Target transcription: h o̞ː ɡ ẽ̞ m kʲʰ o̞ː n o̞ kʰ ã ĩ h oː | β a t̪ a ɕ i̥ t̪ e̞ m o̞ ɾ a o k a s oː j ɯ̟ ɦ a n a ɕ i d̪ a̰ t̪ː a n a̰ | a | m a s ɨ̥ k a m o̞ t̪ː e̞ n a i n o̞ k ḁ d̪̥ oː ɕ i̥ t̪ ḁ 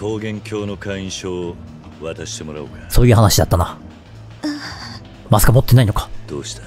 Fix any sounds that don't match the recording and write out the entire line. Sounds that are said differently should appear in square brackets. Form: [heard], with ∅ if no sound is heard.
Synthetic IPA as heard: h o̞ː ɡ ẽ̞ [ŋ] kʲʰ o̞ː n o̞ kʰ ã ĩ [ɕ] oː | β a t̪ a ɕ i̥ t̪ e̞ m o̞ ɾ a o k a s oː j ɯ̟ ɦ a n a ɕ i d̪ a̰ t̪ː a n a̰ | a | m a s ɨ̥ k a m o̞ t̪ː e̞ n a i n o̞ k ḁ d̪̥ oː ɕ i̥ t̪ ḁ